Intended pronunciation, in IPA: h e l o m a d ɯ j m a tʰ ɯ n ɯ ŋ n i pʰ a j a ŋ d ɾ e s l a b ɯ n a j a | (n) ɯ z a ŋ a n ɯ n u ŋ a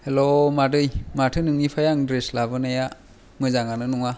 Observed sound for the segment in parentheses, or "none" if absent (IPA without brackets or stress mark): m